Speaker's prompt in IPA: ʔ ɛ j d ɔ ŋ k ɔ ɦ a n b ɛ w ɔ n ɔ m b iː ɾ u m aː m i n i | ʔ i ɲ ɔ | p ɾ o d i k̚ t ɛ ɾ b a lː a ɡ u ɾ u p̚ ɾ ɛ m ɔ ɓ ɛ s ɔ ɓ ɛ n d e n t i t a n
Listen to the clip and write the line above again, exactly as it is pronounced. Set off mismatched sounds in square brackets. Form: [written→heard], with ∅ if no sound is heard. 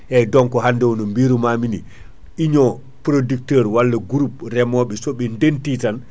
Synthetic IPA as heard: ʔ ɛ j d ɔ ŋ k ɔ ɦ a n [b→d] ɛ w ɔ n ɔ m b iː ɾ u m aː m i n i | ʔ i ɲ ɔ | p ɾ o d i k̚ t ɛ ɾ [b→w] a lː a ɡ u ɾ u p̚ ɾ ɛ m ɔ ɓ ɛ s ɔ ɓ ɛ n d e n t i t a n